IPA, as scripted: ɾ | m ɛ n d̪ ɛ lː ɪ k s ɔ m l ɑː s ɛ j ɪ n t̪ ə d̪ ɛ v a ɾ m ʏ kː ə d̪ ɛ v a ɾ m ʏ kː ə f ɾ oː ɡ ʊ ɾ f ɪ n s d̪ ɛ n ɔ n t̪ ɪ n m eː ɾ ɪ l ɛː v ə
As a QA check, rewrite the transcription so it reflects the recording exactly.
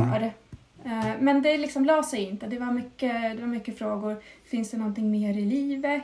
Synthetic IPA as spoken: ɾ | m ɛ n d̪ ɛ l ɪ k s ɔ m l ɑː s ɛ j ɪ n t̪ ə d̪ ɛ v a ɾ m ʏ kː ə d̪ ɛ v a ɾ m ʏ kː ə f ɾ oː ɡ ʊ ɾ f ɪ n s d̪ ɛ n ɔ n t̪ ɪ ŋ m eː ɾ ɪ l iː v ə